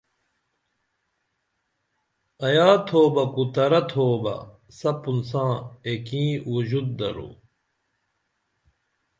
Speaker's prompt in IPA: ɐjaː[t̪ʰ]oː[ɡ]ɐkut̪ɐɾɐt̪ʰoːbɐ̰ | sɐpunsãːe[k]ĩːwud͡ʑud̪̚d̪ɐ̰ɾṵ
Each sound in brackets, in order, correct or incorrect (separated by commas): correct, incorrect, correct